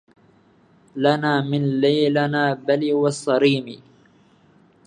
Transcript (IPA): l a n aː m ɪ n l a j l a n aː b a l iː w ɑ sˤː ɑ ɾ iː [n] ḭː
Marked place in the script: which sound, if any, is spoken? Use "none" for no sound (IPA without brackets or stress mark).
m